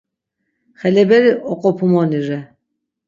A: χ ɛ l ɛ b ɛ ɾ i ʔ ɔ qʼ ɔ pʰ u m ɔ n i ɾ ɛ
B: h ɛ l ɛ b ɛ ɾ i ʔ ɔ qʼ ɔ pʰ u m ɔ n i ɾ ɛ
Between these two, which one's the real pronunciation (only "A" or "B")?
A